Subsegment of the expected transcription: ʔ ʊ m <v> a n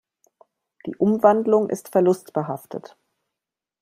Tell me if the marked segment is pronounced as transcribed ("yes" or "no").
yes